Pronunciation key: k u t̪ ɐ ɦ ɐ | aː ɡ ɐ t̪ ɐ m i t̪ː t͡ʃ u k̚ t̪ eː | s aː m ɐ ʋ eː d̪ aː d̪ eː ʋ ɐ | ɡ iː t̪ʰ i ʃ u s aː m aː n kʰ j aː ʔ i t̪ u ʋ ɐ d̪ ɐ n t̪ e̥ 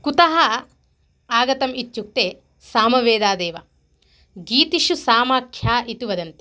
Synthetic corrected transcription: k u t̪ ɐ ɦ ɐ | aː ɡ ɐ t̪ ɐ m i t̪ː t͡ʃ u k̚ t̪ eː | s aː m ɐ ʋ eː d̪ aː d̪ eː ʋ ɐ | ɡ iː t̪ i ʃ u s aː m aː kʰ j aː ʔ i t̪ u ʋ ɐ d̪ ɐ n t̪ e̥